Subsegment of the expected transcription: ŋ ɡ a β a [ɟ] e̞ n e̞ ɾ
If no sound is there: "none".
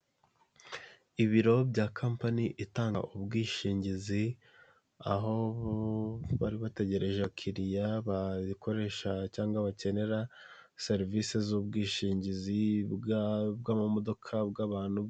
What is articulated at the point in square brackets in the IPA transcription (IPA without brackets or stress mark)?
c